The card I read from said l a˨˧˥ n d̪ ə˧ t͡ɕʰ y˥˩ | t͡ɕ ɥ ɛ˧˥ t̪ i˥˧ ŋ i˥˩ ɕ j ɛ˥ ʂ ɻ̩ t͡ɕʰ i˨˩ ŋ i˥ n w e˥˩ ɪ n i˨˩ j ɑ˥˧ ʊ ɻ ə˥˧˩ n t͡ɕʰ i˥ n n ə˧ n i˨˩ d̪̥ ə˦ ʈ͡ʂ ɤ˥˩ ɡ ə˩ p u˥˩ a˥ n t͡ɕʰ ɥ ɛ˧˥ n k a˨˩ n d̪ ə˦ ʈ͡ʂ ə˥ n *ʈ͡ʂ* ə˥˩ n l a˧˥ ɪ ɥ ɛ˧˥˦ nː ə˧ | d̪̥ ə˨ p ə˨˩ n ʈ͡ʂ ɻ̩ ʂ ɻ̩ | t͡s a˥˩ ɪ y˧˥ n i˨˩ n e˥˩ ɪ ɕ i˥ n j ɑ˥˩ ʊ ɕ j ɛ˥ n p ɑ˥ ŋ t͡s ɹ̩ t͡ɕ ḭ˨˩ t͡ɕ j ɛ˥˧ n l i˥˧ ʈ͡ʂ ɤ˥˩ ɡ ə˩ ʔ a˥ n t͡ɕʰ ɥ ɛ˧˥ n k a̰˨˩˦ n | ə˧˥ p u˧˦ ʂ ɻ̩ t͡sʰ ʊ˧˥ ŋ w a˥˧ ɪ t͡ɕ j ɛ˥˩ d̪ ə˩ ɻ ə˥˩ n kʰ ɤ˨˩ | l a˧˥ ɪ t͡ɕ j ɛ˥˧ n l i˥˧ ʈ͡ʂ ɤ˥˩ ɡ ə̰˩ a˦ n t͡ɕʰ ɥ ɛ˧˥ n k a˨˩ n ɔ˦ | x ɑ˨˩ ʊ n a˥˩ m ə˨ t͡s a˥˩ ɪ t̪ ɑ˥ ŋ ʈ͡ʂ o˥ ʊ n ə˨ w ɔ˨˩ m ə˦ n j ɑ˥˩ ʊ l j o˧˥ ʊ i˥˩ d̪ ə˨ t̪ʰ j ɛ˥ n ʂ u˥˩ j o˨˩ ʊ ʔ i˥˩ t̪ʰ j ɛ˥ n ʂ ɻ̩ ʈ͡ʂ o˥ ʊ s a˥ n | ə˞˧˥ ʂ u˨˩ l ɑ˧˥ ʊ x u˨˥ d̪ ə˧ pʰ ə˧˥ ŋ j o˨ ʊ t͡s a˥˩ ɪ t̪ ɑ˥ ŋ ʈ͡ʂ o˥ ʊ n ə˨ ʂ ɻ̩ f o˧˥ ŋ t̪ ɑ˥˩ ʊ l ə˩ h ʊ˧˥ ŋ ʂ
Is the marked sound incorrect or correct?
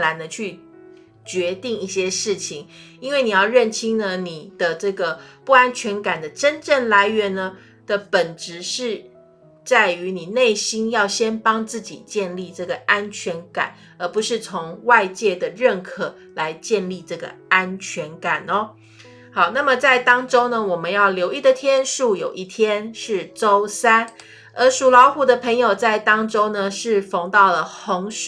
correct